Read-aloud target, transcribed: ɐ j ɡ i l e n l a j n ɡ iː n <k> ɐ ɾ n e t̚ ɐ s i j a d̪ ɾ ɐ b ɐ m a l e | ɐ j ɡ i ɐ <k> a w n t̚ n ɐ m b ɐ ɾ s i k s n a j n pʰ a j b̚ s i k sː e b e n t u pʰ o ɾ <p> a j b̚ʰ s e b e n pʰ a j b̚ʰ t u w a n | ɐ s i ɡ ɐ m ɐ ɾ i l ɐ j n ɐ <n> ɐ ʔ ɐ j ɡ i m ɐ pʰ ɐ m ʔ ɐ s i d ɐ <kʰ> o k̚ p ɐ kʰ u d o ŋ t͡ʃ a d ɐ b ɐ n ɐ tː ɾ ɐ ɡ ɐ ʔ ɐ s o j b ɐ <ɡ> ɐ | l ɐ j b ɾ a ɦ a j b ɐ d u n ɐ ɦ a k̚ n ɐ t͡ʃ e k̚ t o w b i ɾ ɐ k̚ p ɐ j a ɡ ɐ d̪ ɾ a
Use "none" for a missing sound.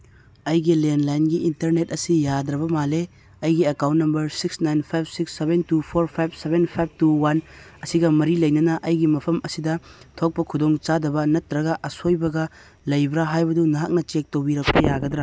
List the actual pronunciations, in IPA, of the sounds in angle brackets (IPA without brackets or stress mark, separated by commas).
t, k, pʰ, n, tʰ, ɡ